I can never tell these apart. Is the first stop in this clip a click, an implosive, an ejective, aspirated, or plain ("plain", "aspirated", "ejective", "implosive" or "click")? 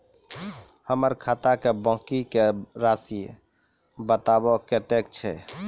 aspirated